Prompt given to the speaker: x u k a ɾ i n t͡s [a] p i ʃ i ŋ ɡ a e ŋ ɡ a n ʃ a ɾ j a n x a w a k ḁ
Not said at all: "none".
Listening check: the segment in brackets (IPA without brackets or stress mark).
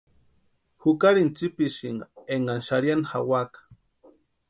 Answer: i